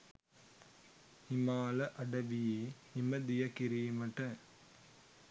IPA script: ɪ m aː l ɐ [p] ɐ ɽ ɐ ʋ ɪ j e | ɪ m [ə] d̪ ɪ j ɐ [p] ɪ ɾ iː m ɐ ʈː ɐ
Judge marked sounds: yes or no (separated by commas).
no, no, no